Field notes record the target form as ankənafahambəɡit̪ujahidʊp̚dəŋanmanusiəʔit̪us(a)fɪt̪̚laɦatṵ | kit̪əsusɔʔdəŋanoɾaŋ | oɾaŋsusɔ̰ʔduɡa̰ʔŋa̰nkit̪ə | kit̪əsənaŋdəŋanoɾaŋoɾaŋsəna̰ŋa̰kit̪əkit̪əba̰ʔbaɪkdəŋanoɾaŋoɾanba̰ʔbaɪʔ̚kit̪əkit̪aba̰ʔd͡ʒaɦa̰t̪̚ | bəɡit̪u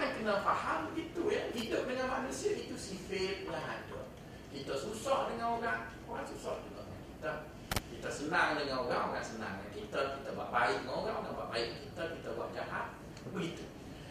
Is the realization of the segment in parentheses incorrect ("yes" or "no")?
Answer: yes